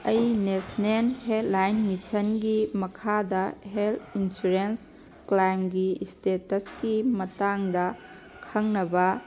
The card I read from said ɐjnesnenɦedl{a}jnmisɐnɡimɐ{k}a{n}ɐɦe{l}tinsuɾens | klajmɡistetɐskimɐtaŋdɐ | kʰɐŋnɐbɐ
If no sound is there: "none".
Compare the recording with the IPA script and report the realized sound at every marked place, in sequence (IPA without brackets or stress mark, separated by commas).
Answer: a, kʰ, d, l